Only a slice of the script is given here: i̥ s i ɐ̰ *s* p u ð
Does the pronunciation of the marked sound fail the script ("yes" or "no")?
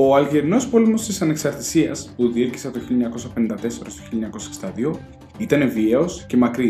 no